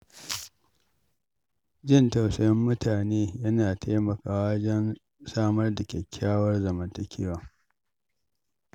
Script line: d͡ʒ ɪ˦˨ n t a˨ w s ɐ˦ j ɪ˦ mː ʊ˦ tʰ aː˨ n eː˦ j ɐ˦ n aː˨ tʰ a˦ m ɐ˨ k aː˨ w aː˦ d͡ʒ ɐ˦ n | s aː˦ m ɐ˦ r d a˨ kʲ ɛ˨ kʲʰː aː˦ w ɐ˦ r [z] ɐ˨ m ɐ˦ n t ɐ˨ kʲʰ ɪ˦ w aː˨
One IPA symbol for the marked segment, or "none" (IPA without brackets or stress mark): z